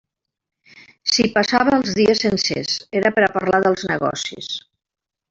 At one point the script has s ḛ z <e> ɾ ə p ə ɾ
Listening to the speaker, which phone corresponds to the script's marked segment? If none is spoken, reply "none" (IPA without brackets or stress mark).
e